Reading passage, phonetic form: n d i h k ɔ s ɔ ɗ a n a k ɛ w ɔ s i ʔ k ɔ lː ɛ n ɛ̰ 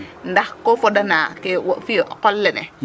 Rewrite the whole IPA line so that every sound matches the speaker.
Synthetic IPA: n d a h k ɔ f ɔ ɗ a n a k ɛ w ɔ f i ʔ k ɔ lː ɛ n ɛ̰